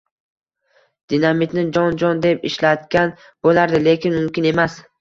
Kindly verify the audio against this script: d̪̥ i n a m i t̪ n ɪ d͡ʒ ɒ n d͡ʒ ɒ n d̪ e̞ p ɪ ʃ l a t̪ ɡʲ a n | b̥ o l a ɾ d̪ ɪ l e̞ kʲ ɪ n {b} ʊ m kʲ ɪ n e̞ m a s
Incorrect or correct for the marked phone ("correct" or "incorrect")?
incorrect